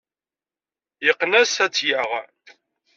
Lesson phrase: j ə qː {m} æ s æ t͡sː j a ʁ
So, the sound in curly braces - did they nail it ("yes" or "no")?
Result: no